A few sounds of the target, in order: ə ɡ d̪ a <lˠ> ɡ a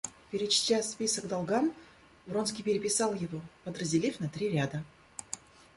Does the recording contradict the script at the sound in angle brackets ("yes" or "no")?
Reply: no